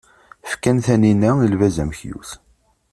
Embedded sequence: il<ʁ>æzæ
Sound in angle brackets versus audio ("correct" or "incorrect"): incorrect